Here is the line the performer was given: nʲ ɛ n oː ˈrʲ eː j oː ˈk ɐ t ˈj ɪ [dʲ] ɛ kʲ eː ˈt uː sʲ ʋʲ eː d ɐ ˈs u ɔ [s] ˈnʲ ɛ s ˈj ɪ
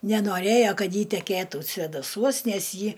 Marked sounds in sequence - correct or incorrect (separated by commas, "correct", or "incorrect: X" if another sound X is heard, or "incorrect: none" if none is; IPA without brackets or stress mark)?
incorrect: tʲ, correct